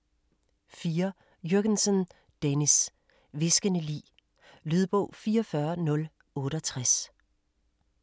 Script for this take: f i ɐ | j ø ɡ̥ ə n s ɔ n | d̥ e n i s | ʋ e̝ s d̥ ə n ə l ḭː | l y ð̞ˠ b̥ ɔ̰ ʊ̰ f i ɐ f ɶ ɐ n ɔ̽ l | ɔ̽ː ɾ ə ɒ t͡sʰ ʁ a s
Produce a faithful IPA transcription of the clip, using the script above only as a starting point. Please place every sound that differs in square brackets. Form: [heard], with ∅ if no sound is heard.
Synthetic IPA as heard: f [iː] ɐ | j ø ɡ̥ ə n s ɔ n | d̥ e n i s | ʋ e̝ s [ɡ̥] ə n ə l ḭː | l y ð̞ˠ b̥ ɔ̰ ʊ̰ f [iː] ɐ f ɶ ɐ n ɔ̽ l | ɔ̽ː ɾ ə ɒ t͡sʰ ʁ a s